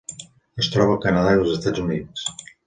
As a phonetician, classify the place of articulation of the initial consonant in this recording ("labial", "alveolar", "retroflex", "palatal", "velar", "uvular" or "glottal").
alveolar